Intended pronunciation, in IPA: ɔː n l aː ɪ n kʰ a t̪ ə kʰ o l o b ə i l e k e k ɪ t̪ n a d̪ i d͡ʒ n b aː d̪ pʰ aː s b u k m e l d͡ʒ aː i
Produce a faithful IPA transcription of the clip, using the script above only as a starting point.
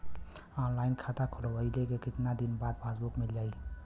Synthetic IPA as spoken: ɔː n l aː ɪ n kʰ a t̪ a kʰ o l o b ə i l e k e k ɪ t̪ n a d̪ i n b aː d̪ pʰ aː s b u k m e l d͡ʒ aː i